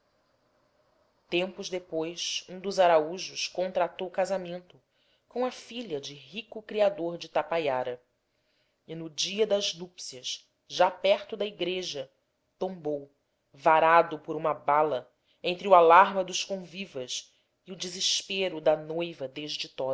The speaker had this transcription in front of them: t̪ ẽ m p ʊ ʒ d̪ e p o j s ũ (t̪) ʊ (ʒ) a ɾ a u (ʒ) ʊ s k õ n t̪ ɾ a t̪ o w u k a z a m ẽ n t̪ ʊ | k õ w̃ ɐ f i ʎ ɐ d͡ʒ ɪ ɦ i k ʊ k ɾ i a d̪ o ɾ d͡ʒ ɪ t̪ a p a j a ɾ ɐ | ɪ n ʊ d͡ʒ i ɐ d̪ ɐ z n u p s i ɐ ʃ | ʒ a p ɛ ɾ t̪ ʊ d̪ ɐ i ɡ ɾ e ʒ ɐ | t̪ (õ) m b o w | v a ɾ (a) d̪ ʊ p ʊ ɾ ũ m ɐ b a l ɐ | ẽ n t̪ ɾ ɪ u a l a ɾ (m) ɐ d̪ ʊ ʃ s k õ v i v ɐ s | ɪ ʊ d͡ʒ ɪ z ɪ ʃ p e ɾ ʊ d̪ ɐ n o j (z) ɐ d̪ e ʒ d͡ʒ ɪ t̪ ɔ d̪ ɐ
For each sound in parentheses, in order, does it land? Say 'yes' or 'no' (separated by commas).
no, no, yes, yes, yes, yes, no